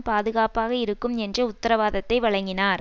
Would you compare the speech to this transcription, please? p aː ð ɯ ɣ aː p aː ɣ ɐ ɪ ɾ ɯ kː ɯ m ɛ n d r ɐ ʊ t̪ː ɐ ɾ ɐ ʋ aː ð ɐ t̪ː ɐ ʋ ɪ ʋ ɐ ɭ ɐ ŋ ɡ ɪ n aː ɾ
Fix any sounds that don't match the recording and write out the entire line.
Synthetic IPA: p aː ð ɯ ɣ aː p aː ɣ ɐ ɪ ɾ ɯ kː ɯ m ɛ n d r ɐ ʊ t̪ː ɐ ɾ ɐ ʋ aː ð ɐ t̪ː ɐ ɪ ʋ ɐ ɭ ɐ ŋ ɡ ɪ n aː ɾ